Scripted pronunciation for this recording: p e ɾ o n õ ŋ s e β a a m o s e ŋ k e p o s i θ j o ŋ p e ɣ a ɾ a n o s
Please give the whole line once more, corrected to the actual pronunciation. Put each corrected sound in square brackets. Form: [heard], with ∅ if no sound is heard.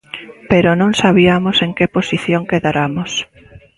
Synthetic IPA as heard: p e ɾ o n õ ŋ s [a] β [i] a m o s e ŋ k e p o s i θ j o ŋ [k] e [ð] a ɾ a [m] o s